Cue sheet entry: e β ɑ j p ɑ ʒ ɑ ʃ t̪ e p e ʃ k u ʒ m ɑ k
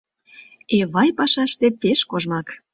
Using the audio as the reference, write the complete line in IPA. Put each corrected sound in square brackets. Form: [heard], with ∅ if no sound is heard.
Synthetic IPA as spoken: e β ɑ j p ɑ [ʃ] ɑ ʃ t̪ e p e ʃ k [o] ʒ m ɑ k